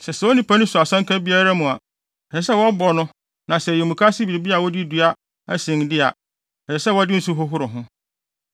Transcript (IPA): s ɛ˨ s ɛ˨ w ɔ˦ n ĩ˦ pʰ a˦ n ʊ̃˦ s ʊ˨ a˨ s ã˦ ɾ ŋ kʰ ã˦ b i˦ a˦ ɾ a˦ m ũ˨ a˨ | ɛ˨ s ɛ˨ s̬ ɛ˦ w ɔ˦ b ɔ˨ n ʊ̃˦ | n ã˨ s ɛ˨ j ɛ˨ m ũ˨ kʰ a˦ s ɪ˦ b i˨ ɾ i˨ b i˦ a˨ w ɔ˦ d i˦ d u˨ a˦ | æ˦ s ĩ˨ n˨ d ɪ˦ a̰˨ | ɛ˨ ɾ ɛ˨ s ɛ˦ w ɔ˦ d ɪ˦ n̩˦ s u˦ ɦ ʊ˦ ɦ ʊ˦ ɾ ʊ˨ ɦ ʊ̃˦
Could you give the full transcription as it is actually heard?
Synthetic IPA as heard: s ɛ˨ s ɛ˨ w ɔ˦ n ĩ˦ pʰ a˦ n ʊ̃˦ s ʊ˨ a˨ s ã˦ ŋ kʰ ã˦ b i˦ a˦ ɾ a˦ m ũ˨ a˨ | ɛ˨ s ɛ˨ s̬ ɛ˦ w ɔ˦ b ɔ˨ n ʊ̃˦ | n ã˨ s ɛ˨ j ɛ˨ m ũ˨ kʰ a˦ s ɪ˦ b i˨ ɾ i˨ b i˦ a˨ w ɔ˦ d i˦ d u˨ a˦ | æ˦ s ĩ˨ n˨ d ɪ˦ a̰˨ | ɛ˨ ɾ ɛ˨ s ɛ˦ w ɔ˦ d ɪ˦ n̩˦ s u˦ ɦ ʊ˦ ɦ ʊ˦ ɾ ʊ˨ ɦ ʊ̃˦